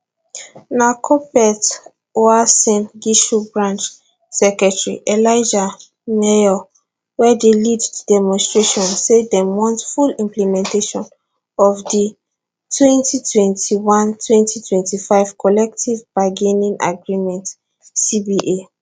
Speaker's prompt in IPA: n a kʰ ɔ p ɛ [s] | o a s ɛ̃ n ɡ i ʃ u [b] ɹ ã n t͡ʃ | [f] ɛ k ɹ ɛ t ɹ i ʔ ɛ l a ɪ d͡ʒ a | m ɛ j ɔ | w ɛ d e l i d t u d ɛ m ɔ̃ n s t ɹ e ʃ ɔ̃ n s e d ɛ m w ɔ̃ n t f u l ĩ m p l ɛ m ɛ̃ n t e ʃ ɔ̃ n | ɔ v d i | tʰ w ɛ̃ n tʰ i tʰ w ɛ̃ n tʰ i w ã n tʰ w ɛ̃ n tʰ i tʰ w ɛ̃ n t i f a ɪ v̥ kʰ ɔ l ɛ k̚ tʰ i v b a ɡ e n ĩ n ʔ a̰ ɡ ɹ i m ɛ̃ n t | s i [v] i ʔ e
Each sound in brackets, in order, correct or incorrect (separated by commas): incorrect, correct, incorrect, incorrect